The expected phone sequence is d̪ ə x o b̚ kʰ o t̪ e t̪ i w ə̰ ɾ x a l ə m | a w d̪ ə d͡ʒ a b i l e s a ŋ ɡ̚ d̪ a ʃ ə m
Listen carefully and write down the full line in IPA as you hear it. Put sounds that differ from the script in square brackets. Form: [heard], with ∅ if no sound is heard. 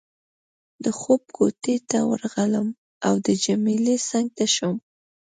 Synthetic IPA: d̪ ə x o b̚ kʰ o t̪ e t̪ [a] w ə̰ ɾ [ɣ] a l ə m | a w d̪ ə d͡ʒ a [m] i l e s a ŋ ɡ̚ [t̪] a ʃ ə m